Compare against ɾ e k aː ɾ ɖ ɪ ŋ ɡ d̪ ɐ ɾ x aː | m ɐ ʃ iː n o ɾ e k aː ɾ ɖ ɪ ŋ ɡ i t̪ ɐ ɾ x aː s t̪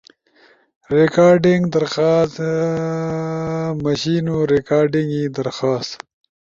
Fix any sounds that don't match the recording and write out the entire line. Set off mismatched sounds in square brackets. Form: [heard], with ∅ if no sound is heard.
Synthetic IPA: ɾ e k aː ɾ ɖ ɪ ŋ ɡ d̪ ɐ ɾ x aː | m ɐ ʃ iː n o ɾ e k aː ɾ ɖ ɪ ŋ ɡ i [d̪] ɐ ɾ x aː s t̪